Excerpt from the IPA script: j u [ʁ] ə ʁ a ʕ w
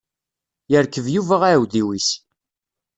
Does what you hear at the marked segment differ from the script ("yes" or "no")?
yes